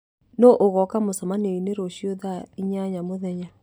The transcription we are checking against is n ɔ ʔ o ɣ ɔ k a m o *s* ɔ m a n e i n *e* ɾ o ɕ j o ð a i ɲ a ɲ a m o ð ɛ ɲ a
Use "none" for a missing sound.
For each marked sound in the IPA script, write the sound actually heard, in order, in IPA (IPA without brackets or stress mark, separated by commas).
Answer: s, e